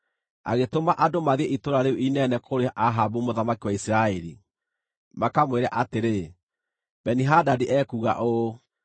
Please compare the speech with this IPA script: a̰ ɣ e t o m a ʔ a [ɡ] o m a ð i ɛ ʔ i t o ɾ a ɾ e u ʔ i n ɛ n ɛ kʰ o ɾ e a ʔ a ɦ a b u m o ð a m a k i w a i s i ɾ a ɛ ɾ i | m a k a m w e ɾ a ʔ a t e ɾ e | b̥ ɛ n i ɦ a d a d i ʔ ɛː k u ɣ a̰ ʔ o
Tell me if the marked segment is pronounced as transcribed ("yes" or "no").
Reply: no